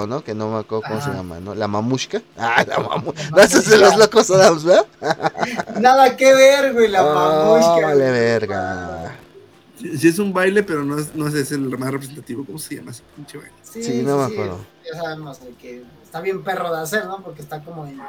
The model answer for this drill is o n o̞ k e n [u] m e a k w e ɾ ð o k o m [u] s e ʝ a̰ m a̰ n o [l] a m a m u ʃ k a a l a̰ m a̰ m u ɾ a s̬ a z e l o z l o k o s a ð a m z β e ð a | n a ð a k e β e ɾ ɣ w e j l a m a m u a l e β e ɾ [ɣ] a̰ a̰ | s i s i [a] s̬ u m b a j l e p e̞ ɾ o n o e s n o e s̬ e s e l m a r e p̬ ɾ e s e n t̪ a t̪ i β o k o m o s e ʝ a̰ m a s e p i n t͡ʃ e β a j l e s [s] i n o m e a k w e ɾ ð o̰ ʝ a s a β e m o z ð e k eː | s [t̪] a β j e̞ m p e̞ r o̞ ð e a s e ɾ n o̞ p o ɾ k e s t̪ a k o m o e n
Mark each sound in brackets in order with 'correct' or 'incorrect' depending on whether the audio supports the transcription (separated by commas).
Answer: incorrect, incorrect, correct, correct, incorrect, correct, correct